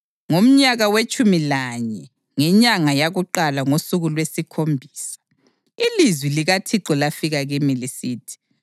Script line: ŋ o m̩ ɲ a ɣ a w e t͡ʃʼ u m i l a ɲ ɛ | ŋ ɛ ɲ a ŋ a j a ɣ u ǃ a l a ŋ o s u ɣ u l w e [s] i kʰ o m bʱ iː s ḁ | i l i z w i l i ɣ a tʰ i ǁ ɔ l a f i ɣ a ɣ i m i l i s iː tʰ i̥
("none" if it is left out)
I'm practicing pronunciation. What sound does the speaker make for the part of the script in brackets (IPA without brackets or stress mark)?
s